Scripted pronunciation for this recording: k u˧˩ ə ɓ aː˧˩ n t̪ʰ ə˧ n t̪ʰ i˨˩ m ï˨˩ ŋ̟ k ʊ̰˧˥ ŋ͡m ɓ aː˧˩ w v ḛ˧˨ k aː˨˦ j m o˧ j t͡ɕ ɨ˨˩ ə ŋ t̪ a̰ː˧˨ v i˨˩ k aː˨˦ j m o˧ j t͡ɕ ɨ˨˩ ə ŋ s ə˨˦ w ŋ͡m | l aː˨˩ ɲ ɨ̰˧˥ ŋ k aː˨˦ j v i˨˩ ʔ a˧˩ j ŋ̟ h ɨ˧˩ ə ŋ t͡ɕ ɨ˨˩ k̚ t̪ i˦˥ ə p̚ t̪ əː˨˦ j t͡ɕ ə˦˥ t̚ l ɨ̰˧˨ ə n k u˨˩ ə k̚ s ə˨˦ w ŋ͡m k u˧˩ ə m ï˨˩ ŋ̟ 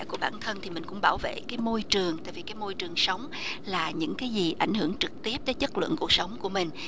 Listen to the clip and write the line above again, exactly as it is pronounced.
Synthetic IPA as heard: k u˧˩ ə ɓ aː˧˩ n t̪ʰ ə˧ n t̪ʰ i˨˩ m ï˨˩ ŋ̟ k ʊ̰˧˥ ŋ͡m ɓ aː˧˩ w v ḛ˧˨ k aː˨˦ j m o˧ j t͡ɕ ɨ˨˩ ə ŋ t̪ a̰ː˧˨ v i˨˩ k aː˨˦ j m o˧ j t͡ɕ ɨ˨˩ ə ŋ s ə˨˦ w ŋ͡m | l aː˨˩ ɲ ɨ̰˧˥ ŋ k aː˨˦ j z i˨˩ ʔ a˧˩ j ŋ̟ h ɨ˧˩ ə ŋ t͡ɕ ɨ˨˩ k̚ t̪ i˦˥ ə p̚ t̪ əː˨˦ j t͡ɕ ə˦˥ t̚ l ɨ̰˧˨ ə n k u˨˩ ə k̚ s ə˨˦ w ŋ͡m k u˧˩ ə m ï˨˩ ŋ̟